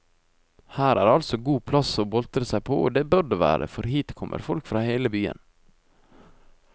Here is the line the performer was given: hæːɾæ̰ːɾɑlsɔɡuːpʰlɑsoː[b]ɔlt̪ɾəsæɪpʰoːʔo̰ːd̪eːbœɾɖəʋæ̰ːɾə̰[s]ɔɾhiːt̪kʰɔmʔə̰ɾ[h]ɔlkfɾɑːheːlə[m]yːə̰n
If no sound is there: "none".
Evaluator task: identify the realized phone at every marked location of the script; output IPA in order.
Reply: b, f, f, b

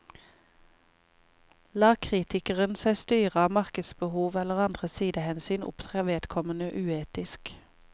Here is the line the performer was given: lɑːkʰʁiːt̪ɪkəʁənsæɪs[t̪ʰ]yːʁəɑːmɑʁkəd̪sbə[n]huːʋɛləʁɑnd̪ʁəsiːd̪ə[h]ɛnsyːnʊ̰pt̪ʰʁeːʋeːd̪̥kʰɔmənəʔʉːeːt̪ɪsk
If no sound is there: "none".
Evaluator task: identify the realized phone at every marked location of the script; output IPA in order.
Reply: t̪, none, h

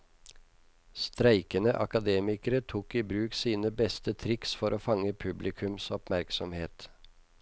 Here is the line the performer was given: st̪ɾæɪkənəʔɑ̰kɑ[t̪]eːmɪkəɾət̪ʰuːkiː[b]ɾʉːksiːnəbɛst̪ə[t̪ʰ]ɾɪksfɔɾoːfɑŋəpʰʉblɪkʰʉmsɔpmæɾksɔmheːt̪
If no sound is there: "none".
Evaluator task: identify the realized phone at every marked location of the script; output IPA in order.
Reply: d̪, b, t̪ʰ

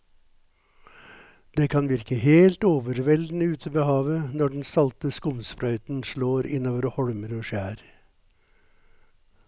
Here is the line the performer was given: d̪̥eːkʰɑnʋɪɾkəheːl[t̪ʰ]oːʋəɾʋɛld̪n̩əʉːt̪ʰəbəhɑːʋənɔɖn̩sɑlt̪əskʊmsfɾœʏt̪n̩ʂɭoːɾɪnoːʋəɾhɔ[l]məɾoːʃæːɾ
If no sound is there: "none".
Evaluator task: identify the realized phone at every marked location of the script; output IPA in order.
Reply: t̪, ɽ

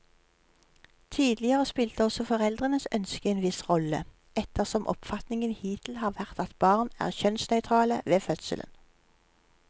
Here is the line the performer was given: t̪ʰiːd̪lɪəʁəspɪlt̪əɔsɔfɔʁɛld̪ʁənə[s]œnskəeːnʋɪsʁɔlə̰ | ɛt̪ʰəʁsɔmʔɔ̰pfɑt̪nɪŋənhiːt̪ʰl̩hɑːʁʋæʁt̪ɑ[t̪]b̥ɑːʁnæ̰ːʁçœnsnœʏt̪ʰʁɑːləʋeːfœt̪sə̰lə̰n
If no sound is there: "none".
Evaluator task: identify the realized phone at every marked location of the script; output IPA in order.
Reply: s, t̪

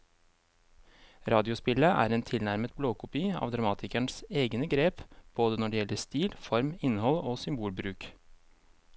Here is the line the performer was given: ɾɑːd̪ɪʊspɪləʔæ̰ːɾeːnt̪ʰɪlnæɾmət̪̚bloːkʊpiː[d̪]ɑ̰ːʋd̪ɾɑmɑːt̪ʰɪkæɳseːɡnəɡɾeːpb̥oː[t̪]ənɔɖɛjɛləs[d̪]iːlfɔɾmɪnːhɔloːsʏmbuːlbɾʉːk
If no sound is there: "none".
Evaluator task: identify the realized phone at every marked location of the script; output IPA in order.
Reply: none, d̪, t̪

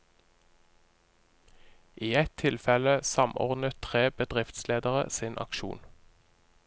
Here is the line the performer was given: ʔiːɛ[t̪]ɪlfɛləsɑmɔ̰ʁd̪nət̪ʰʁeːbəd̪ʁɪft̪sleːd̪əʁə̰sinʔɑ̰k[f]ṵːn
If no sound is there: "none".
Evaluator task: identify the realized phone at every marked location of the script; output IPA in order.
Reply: t̪ʰ, ʃ

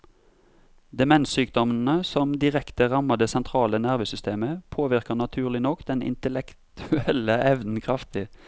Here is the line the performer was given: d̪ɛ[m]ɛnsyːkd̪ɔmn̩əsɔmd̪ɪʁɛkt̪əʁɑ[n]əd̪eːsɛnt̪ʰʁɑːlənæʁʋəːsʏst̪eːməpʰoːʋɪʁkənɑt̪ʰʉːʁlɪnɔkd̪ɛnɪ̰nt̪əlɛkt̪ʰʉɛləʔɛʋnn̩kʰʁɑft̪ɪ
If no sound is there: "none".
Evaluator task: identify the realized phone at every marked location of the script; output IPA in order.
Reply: m, m

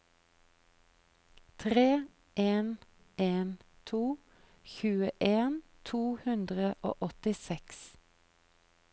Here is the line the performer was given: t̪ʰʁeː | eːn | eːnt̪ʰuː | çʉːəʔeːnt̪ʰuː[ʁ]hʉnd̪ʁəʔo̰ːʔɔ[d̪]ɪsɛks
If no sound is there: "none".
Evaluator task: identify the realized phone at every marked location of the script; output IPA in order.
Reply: none, t̪

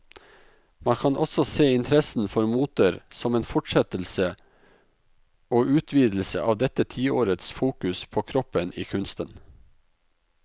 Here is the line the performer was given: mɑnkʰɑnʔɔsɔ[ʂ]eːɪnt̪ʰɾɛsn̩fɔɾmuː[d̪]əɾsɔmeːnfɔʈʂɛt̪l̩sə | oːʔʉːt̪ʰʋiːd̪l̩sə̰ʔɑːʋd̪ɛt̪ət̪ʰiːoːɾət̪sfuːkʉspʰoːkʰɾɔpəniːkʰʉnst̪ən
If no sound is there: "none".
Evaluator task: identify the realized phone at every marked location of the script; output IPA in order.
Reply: s, t̪

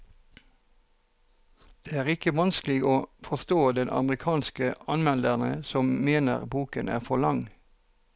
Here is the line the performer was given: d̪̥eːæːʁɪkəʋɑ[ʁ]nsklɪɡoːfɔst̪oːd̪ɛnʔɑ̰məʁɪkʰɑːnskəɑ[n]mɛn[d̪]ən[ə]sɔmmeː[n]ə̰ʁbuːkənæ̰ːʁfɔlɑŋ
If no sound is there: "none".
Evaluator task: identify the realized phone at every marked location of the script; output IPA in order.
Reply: none, n, d̪, ə, n

